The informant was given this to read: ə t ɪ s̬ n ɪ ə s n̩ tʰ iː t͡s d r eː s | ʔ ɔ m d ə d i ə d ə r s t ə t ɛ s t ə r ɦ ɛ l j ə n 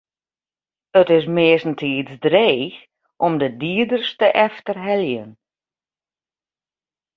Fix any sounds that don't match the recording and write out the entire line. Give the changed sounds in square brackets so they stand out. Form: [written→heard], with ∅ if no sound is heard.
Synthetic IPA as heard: ə t ɪ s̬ [n→m] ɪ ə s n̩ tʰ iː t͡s d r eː [s→x] | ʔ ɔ m d ə d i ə d ə r s t ə [t→ʔ] ɛ [s→f] t ə r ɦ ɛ l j ə n